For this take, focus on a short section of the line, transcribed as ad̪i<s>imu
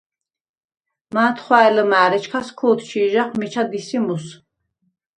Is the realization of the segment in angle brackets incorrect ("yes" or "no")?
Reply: no